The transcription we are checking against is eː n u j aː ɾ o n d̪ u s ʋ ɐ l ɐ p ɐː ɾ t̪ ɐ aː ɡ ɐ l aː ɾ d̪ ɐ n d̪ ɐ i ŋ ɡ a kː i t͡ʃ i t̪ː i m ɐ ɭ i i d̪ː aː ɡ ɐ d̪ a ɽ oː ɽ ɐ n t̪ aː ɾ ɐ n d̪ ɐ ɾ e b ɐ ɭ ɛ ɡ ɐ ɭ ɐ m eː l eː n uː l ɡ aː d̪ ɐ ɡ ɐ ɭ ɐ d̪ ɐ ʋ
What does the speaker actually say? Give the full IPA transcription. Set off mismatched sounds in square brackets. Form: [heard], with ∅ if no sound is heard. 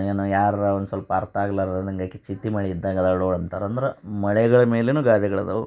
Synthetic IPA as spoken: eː n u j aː ɾ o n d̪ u s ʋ ɐ l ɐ p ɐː ɾ t̪ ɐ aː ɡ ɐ l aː ɾ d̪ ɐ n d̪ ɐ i ŋ ɡ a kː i t͡ʃ i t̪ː i m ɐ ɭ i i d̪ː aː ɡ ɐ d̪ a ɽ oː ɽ ɐ n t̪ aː ɾ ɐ n d̪ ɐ ɾ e [m] ɐ ɭ ɛ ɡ ɐ ɭ ɐ m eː l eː n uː [∅] ɡ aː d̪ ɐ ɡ ɐ ɭ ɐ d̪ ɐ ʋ